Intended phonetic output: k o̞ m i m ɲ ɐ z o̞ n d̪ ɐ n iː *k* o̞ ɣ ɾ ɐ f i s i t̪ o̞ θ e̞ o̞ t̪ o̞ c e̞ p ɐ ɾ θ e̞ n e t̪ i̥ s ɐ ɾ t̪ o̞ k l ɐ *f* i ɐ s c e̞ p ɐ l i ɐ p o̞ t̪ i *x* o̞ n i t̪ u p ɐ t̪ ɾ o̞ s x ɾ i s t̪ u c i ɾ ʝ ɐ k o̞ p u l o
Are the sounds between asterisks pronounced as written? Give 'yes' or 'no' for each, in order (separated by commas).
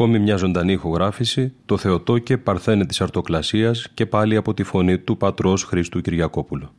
no, no, no